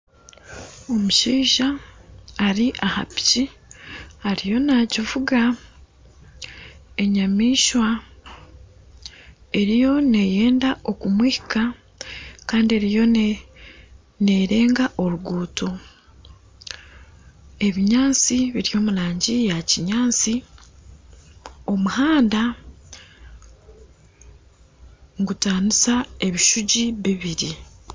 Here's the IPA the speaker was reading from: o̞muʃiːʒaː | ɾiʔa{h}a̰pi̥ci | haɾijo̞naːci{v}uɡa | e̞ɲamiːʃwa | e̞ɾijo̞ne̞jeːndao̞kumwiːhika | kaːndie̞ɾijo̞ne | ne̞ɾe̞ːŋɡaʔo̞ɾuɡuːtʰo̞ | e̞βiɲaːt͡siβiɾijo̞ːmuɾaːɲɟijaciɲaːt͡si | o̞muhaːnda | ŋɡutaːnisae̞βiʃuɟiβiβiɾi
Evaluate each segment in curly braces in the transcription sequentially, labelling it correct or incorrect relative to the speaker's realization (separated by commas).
correct, correct